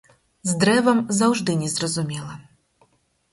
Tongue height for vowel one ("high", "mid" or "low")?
mid